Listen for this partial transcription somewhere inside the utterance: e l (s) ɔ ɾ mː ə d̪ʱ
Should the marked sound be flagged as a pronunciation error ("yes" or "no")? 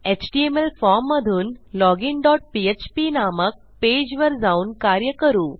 yes